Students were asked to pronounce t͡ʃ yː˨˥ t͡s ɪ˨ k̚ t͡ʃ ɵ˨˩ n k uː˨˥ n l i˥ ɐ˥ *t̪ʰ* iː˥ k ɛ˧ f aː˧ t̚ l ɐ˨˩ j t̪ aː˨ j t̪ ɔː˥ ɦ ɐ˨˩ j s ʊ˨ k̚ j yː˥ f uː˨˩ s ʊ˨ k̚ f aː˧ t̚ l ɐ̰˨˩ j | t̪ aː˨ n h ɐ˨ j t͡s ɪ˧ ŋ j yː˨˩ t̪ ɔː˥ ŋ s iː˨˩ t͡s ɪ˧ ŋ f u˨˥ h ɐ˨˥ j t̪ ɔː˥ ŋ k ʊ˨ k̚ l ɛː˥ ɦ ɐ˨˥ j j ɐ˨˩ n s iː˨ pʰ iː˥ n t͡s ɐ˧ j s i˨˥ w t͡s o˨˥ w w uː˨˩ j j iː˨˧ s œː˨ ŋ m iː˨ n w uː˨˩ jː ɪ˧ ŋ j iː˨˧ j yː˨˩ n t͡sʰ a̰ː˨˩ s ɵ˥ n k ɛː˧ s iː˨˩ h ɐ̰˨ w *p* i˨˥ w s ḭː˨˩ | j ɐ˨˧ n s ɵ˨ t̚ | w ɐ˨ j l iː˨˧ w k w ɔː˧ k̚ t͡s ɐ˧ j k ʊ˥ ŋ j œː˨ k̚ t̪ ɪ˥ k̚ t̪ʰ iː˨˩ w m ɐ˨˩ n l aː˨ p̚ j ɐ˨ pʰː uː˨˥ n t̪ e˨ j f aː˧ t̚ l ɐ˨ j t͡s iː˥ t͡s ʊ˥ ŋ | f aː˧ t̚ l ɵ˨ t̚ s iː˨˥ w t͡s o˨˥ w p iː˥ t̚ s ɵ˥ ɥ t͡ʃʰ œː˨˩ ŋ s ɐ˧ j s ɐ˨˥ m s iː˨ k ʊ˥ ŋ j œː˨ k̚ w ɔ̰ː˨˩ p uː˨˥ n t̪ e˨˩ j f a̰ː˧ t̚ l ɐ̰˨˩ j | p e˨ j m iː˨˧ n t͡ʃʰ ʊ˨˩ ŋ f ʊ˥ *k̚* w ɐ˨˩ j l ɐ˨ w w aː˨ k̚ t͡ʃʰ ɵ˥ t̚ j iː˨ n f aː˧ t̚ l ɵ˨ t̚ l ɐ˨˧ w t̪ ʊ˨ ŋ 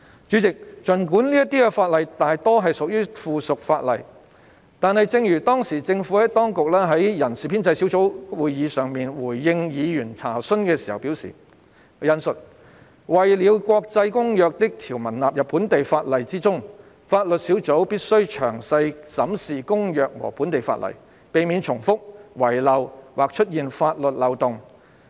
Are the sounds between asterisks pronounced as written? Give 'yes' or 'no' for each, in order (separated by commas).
no, yes, yes